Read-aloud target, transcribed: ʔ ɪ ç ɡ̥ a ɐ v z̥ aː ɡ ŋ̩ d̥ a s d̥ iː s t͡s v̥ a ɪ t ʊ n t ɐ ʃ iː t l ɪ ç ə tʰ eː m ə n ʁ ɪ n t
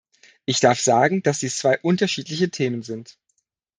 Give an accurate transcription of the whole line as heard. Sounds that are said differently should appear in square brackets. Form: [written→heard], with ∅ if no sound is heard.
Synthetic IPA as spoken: ʔ ɪ ç [ɡ̥→d̥] a ɐ [v→f] z̥ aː ɡ ŋ̩ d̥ a s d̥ iː s t͡s v̥ a ɪ [t→ʔ] ʊ n t ɐ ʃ iː t l ɪ ç ə tʰ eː m ə n [ʁ→z] ɪ n t